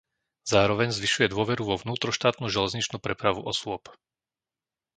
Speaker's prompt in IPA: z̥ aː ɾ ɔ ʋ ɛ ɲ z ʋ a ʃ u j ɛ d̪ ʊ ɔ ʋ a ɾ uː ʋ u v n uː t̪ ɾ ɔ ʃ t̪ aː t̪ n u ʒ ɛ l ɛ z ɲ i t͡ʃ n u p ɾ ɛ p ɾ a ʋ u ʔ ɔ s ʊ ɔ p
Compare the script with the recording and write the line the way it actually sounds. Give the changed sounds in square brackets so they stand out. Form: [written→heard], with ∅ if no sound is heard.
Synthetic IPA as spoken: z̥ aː ɾ ɔ ʋ ɛ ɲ z ʋ [a→i] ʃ u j ɛ d̪ ʊ ɔ ʋ [a→ɛ] ɾ [uː→u] ʋ [u→ɔ] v n uː t̪ ɾ ɔ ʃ t̪ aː t̪ n u ʒ ɛ l ɛ z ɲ i t͡ʃ n u p ɾ ɛ p ɾ a ʋ u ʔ ɔ s ʊ ɔ p